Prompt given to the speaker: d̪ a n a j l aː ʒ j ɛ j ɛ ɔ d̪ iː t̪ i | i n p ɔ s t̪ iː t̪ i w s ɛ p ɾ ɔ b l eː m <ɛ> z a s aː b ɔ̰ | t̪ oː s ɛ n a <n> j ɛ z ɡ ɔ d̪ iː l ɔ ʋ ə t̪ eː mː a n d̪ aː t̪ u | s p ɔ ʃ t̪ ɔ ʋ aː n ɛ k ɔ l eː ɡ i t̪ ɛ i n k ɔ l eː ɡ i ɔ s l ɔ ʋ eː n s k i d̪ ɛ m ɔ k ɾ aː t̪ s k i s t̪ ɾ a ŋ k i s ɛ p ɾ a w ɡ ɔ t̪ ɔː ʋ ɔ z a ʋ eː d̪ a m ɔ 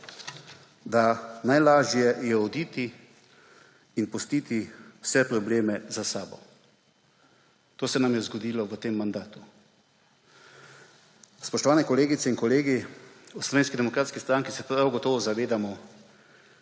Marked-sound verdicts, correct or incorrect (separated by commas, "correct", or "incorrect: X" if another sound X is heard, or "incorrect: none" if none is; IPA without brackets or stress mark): correct, incorrect: m